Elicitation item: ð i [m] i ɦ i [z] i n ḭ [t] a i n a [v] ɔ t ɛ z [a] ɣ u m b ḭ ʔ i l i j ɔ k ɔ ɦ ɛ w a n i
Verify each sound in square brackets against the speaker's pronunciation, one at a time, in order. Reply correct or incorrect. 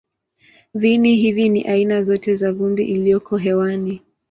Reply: incorrect: n, incorrect: v, incorrect: ʔ, incorrect: z, correct

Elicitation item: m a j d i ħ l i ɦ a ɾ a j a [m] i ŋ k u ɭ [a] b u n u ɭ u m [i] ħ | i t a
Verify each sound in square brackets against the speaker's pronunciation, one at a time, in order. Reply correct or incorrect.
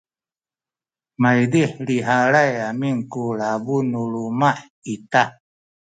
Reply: correct, correct, incorrect: a

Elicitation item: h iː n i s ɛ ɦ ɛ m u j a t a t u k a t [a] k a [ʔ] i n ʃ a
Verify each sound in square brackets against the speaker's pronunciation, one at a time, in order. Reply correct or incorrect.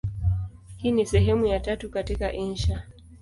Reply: incorrect: i, correct

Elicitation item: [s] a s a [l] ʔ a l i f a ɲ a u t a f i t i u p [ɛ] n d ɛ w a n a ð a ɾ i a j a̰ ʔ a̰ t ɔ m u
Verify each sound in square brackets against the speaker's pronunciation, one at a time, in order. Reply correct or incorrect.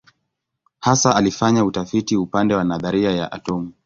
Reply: incorrect: h, incorrect: none, incorrect: a

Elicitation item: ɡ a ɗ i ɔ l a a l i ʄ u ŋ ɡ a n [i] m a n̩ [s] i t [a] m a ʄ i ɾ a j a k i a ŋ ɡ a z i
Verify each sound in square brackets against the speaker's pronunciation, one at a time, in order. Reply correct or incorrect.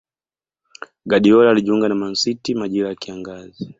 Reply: incorrect: a, correct, incorrect: i

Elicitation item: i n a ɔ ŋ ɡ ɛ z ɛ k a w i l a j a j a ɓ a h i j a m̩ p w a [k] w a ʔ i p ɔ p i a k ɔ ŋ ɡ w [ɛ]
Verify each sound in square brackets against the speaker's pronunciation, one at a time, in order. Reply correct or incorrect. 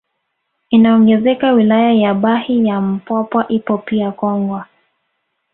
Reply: incorrect: p, incorrect: a

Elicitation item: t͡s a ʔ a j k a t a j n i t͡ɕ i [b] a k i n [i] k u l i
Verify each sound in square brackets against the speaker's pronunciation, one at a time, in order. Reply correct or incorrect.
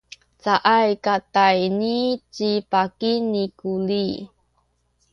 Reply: incorrect: p, correct

